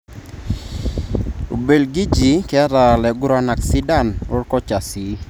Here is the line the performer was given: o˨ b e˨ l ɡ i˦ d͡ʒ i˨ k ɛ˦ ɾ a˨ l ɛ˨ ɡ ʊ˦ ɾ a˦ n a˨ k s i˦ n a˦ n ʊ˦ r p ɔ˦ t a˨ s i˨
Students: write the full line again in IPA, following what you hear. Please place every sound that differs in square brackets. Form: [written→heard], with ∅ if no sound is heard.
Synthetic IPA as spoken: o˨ b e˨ l ɡ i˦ d͡ʒ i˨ k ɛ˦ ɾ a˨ l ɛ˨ ɡ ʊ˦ ɾ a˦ n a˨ k s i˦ [n→d] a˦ n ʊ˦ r [p→k] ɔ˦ [t→t͡ʃ] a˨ s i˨